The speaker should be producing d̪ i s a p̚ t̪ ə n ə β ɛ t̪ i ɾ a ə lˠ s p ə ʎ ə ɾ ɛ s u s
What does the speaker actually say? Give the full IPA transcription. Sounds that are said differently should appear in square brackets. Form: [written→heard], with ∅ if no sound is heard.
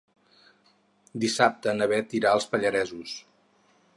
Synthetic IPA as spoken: d̪ i s a p̚ t̪ ə n ə β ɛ t̪ i ɾ a ə lˠ s p ə ʎ ə ɾ ɛ [s→z] u s